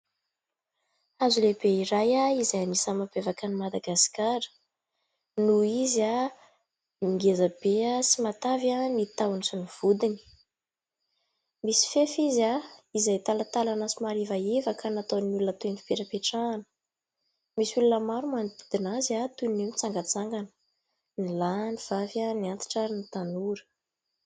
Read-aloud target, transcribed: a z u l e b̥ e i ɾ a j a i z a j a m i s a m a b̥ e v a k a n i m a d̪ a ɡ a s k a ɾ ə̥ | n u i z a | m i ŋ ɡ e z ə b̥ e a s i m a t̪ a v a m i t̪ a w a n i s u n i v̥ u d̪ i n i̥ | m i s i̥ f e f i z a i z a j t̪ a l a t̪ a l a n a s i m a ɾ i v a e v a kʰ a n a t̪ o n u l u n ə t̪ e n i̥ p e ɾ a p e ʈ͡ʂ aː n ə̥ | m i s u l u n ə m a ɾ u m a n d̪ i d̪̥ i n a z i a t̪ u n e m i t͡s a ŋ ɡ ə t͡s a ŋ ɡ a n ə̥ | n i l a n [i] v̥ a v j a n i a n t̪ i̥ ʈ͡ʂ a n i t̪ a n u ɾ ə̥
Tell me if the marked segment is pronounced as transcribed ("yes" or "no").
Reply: yes